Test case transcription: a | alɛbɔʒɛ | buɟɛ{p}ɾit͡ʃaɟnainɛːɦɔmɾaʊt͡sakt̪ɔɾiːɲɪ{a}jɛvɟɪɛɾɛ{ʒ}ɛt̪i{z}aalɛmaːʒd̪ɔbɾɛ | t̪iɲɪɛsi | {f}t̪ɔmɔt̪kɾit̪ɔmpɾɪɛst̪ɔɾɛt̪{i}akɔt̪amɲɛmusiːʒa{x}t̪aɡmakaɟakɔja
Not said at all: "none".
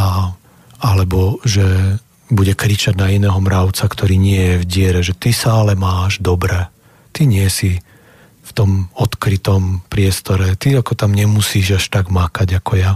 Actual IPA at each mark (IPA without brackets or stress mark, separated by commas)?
k, ɛ, ʒ, s, f, i, ʃ